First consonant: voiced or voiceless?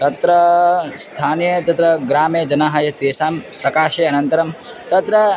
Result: voiceless